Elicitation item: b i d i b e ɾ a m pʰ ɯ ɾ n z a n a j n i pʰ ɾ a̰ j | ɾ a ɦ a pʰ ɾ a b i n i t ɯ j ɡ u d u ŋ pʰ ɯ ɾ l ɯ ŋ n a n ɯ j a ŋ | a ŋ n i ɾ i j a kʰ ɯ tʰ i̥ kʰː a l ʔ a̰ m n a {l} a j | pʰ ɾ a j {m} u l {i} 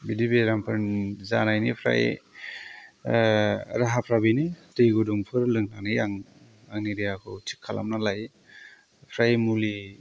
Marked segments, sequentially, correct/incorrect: correct, correct, correct

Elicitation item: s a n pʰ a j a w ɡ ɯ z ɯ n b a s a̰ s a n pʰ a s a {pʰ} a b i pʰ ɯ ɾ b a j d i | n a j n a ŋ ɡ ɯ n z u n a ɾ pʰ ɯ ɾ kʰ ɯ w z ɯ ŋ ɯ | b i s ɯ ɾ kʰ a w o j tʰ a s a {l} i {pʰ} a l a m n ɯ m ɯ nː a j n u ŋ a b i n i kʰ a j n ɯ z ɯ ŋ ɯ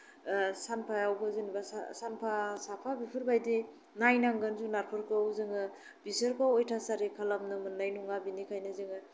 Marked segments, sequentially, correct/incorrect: correct, incorrect, incorrect

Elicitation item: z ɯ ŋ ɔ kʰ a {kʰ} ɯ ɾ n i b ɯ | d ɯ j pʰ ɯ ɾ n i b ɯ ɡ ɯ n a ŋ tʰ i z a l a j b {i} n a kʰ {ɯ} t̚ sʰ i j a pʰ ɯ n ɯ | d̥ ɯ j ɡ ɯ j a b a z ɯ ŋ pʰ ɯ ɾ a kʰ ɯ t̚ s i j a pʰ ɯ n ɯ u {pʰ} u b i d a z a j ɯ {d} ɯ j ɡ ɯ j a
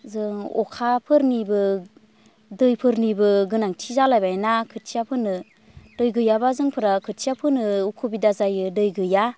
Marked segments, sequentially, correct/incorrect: incorrect, incorrect, correct, incorrect, correct

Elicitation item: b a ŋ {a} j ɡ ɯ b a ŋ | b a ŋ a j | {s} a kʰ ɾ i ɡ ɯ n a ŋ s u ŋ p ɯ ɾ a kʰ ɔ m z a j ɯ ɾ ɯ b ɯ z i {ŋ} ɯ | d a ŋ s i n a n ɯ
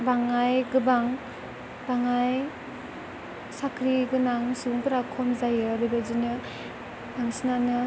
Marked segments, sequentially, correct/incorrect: correct, correct, incorrect

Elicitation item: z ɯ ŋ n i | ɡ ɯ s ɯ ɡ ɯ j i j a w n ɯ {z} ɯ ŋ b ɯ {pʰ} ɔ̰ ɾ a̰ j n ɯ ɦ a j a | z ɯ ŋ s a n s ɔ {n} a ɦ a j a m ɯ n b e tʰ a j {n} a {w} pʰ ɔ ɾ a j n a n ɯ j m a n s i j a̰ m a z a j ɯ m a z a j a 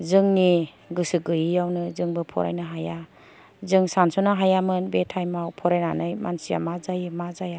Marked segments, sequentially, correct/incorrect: correct, correct, correct, incorrect, correct

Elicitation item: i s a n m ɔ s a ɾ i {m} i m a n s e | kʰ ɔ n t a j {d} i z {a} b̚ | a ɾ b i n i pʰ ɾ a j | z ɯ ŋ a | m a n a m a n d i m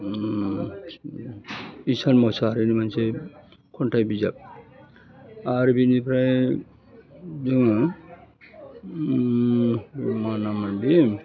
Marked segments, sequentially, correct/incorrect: incorrect, incorrect, correct

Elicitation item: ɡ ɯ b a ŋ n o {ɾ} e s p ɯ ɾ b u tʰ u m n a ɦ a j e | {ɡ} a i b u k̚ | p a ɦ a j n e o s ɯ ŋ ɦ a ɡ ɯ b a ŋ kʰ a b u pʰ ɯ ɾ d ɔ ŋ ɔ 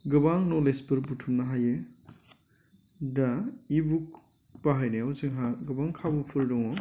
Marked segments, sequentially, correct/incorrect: incorrect, incorrect

